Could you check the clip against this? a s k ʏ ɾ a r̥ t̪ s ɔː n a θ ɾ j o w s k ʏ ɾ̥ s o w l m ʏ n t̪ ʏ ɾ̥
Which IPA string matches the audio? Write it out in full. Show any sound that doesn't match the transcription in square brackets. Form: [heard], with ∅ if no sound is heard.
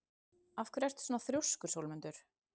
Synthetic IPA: a [f] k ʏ ɾ [ɛ] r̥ t̪ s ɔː n a θ ɾ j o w s k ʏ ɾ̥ s o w l m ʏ n t̪ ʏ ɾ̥

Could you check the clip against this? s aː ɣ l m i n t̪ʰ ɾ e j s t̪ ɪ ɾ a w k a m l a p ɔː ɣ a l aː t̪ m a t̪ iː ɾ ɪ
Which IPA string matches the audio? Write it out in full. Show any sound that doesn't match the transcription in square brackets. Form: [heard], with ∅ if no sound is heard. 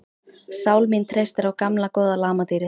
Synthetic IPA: s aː [w] l m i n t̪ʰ ɾ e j s t̪ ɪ ɾ a w k a m l a [k] ɔː [ð] a l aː [∅] m a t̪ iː ɾ ɪ

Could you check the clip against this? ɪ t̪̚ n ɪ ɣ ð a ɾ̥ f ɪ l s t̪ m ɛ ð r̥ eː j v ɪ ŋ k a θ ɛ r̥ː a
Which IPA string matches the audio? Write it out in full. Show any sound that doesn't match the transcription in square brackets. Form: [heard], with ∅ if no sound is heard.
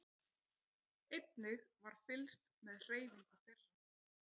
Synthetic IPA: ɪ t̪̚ n ɪ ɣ [v] a ɾ̥ f ɪ l s t̪ m ɛ ð r̥ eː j v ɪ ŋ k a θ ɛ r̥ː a

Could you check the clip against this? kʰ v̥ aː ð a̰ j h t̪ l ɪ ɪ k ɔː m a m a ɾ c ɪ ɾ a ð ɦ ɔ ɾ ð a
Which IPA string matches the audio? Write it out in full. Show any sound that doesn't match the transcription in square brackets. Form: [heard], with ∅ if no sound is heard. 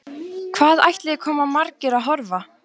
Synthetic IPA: kʰ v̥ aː ð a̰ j h t̪ l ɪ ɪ [kʰ] ɔː m a m a ɾ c ɪ ɾ a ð ɦ ɔ ɾ [v] a

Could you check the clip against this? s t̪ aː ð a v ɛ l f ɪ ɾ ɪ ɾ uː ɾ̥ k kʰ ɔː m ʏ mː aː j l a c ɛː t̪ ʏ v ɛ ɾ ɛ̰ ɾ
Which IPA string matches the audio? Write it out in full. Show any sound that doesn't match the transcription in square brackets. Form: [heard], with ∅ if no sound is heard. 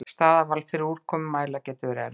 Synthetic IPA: s t̪ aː ð a v [a] l f ɪ ɾ ɪ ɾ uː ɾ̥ k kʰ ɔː m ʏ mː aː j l a c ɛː t̪ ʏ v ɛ ɾ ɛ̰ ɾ

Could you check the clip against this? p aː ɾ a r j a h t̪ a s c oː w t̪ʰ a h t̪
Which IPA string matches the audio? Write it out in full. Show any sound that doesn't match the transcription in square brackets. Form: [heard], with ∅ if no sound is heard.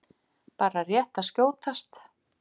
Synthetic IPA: p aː ɾ a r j [ɛ] h t̪ a s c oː w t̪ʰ a [s] t̪

